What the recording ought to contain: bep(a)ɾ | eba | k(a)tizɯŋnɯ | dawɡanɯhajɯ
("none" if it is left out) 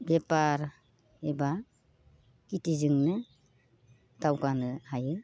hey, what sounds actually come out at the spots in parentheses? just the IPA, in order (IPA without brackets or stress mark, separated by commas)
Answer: a, i